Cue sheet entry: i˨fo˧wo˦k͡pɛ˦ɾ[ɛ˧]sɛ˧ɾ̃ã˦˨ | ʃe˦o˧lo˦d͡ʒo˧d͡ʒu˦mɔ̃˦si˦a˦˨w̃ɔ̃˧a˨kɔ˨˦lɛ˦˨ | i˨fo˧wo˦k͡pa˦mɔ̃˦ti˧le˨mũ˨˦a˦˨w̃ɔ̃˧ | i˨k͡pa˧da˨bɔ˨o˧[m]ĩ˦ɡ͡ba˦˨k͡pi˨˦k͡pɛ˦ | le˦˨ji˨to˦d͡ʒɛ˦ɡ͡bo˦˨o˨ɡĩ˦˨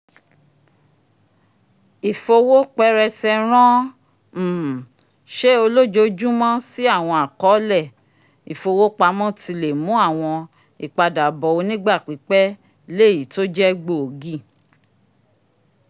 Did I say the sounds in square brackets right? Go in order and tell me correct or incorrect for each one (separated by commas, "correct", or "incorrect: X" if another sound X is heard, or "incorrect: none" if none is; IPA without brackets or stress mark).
correct, incorrect: n